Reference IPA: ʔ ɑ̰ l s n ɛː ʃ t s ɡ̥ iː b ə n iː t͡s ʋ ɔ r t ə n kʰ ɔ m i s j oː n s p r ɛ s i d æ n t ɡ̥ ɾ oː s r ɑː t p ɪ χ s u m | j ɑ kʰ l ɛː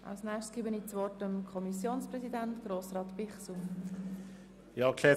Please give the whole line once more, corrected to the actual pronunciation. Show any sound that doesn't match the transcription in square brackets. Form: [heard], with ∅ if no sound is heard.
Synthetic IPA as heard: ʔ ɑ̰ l s n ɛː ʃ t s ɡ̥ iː b ə n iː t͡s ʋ ɔ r t ə [m] kʰ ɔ m i s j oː n s p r ɛ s i d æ n t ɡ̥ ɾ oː s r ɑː t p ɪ χ s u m | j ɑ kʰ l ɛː